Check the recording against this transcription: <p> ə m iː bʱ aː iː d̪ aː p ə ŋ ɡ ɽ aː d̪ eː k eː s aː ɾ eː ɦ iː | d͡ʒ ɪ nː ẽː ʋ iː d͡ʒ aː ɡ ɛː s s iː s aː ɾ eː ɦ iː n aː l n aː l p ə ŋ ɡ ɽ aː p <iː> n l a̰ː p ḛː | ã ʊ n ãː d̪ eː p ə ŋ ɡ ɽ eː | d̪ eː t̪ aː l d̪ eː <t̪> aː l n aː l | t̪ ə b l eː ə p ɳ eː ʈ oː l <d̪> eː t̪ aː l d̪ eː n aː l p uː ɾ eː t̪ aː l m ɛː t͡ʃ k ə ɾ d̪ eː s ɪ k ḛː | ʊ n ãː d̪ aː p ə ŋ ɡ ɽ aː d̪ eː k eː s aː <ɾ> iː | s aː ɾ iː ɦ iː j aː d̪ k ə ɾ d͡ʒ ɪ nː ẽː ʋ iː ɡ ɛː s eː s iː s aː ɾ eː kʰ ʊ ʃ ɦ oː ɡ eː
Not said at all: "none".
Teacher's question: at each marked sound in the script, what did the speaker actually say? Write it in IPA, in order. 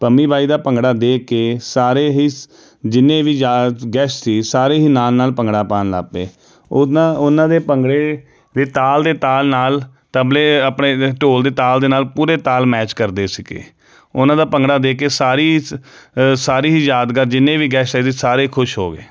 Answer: p, aː, t̪, d̪, ɾ

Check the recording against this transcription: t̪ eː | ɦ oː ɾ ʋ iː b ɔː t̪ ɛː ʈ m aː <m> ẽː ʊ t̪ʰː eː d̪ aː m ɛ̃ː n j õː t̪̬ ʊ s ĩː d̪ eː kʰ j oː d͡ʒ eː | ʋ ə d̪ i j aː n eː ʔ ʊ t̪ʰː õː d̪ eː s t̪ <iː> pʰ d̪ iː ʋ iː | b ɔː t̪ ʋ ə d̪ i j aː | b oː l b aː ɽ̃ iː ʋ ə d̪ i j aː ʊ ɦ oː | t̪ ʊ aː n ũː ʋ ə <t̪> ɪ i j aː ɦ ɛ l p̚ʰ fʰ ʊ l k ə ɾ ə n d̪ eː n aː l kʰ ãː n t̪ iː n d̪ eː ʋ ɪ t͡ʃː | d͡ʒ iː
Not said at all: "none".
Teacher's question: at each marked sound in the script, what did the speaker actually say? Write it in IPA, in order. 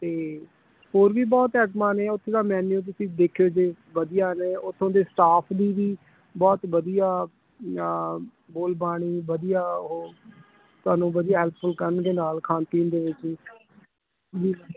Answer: n, aː, d̪

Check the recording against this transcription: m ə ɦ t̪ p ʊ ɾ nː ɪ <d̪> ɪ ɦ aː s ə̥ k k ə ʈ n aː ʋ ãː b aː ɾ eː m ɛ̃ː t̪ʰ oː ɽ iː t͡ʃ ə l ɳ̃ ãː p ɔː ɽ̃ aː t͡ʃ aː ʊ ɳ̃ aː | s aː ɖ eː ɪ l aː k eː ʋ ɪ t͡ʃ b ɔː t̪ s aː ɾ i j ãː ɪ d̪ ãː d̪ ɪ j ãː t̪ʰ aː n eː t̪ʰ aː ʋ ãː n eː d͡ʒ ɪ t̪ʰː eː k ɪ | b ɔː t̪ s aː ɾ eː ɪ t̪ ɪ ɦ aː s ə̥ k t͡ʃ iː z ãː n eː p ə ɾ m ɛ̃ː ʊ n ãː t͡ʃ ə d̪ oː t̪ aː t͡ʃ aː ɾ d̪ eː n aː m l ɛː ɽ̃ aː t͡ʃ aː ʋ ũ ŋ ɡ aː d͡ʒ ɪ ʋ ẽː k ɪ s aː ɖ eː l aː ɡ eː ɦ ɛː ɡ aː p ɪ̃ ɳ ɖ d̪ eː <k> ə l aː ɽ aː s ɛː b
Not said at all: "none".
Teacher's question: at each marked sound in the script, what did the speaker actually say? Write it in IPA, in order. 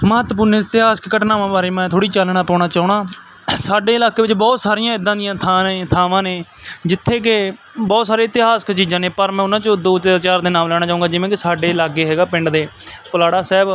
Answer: t̪, p

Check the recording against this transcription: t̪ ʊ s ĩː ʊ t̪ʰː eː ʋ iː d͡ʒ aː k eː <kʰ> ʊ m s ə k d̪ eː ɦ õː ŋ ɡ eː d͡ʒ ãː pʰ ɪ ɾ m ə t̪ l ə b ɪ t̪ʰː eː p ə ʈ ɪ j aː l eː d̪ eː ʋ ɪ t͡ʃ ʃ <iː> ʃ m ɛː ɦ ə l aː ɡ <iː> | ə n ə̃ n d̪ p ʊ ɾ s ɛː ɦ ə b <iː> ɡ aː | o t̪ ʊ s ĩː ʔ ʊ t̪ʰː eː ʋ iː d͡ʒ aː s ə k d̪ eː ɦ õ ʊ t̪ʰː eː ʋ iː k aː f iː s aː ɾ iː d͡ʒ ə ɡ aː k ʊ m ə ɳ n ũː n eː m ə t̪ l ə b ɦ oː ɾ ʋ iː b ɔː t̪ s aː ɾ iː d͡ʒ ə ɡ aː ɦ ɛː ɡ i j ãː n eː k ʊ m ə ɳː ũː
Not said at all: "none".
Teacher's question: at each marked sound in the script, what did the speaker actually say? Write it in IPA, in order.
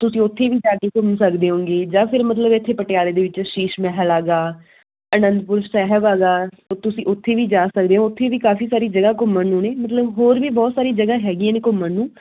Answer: k, iː, aː, aː

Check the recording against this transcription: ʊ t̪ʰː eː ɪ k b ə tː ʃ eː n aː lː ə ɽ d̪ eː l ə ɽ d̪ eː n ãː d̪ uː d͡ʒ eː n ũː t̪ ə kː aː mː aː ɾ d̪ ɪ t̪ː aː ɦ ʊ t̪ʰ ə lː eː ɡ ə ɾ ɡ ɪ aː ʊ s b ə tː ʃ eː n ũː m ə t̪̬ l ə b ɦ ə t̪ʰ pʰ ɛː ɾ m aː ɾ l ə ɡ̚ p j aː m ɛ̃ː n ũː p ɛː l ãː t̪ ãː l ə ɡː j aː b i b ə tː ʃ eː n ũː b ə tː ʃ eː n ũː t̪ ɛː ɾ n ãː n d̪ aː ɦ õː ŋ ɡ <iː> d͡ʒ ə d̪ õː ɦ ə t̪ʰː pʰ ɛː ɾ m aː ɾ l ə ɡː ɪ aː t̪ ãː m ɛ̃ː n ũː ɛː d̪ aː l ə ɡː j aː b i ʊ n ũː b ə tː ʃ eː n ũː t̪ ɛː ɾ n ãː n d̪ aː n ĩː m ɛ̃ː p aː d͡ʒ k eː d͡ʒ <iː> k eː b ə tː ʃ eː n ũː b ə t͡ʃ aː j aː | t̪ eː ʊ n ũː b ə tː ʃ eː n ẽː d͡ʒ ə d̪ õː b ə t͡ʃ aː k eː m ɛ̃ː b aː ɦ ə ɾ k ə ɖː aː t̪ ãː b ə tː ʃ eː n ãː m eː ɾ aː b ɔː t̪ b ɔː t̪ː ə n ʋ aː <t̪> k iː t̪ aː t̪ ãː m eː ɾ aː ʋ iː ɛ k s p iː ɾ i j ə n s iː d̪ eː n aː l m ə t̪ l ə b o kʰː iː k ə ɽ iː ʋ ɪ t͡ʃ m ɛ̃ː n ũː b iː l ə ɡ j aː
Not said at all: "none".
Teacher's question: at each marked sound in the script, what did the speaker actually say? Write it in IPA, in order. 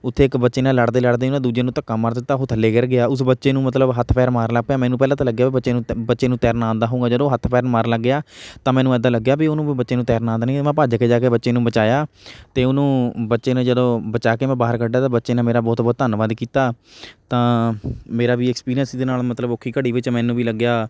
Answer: aː, aː, d̪

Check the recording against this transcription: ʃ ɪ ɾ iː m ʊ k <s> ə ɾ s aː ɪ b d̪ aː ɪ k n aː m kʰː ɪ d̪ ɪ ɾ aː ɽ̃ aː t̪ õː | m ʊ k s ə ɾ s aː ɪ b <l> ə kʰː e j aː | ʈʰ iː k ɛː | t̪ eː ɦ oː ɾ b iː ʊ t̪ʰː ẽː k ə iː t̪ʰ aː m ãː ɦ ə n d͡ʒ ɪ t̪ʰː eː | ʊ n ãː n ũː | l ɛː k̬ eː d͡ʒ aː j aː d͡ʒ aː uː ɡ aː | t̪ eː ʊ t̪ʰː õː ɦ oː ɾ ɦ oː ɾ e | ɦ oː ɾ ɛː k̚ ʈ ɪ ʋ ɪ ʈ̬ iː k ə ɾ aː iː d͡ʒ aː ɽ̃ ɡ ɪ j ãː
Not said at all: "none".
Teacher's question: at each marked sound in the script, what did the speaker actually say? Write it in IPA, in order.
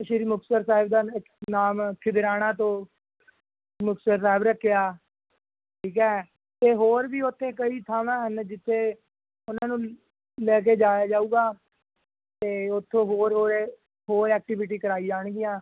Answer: s, ɾ

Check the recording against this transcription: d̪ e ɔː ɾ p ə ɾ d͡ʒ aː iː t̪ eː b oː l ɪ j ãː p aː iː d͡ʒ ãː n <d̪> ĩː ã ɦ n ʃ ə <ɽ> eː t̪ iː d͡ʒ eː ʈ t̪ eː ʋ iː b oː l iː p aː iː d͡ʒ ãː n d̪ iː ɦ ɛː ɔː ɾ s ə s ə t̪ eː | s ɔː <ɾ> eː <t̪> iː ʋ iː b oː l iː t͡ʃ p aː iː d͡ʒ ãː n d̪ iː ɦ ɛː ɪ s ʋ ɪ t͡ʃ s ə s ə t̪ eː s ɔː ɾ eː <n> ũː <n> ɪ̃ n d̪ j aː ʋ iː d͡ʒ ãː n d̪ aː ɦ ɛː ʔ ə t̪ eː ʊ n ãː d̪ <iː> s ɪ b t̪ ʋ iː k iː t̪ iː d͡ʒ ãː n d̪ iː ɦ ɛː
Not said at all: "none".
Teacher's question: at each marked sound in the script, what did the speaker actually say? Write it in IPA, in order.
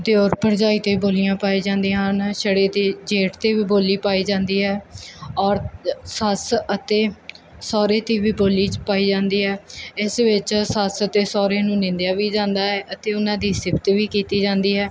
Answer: d̪, ɽ, ɾ, t̪, n, n, iː

